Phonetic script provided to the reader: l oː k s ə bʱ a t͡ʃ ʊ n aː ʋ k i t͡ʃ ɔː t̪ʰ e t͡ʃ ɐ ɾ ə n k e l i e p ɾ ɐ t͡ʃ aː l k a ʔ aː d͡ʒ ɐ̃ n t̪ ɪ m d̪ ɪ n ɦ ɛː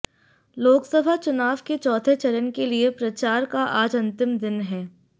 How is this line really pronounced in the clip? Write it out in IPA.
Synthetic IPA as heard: l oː k s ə bʱ a t͡ʃ ʊ n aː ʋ k e t͡ʃ ɔː t̪ʰ e t͡ʃ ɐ ɾ ə n k e l i e p ɾ ɐ t͡ʃ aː ɾ k a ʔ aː d͡ʒ ɐ̃ n t̪ ɪ m d̪ ɪ n ɦ ɛː